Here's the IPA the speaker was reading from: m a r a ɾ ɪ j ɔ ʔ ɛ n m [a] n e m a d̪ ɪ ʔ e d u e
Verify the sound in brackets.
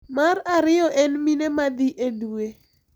incorrect: i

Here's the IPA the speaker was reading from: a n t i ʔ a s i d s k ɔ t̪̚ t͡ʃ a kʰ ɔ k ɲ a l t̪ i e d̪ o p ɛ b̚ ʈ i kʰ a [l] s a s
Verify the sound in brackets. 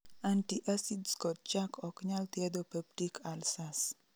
correct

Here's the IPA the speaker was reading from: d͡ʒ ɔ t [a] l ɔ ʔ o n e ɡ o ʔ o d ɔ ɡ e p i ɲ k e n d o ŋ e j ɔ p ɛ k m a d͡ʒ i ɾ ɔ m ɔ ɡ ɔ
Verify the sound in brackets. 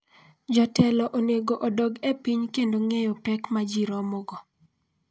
incorrect: ɛ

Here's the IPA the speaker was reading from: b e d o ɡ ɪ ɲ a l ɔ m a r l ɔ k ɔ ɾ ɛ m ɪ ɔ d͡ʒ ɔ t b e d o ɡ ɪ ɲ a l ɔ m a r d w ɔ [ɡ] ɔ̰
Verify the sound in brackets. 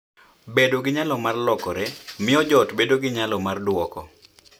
incorrect: k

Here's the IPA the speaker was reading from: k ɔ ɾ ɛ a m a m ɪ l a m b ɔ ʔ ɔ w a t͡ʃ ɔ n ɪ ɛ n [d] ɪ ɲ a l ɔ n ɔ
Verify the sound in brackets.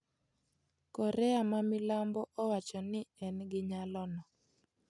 incorrect: ɡ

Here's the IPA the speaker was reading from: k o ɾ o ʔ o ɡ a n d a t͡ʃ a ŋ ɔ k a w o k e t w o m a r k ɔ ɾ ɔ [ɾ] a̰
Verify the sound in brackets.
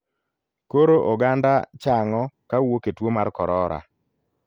correct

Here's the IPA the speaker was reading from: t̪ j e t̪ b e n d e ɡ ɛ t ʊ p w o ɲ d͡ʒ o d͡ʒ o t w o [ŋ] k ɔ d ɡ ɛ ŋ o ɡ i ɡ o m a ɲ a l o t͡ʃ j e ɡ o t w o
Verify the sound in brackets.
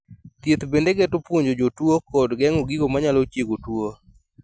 incorrect: none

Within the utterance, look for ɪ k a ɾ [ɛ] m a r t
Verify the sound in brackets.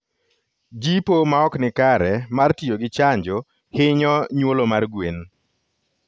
correct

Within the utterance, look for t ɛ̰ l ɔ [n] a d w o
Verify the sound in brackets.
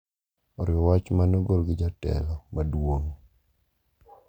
incorrect: m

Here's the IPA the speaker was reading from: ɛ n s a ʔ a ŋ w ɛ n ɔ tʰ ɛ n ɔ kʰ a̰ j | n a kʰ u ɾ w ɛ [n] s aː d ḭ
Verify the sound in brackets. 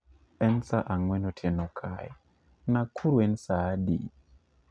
correct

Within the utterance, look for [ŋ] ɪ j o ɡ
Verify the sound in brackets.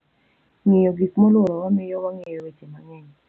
correct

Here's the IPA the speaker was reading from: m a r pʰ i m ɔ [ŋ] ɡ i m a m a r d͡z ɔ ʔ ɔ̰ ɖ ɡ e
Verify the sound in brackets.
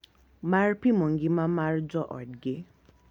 correct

